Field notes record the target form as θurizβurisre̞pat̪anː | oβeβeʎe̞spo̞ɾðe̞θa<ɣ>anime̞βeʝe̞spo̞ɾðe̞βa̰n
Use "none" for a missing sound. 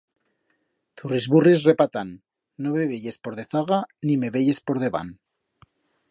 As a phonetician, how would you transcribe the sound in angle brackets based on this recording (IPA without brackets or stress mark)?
ɣ